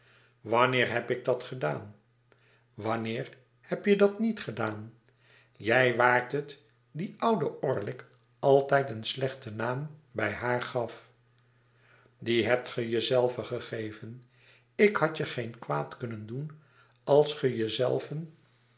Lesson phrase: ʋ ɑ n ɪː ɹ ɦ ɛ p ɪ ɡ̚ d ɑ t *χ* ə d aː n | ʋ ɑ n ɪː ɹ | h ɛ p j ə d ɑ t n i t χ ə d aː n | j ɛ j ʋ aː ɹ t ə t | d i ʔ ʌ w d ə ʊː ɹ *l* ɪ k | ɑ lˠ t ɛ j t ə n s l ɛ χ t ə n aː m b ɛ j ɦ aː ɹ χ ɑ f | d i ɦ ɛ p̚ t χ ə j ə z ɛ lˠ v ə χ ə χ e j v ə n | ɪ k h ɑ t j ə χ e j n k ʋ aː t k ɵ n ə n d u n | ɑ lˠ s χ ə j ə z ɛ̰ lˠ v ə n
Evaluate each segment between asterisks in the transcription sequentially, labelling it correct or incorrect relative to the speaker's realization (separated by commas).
correct, correct